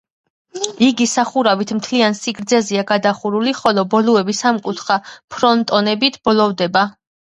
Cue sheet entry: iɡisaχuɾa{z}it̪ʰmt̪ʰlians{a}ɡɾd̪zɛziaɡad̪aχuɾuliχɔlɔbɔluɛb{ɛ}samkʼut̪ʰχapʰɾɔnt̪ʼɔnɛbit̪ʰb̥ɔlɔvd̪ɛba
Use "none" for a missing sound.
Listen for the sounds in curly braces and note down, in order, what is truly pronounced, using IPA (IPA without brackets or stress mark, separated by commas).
v, i, i